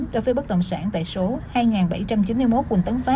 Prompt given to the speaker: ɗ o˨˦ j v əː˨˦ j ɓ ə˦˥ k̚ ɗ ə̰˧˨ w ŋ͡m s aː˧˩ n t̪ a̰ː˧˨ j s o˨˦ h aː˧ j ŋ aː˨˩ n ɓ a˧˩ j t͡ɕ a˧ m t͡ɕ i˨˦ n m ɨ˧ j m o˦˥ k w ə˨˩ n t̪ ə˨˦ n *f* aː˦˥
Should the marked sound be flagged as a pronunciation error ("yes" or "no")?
no